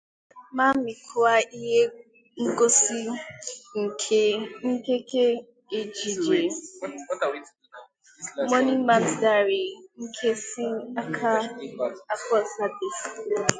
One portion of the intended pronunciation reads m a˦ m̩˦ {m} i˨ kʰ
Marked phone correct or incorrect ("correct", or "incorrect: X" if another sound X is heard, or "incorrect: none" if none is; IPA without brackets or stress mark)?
correct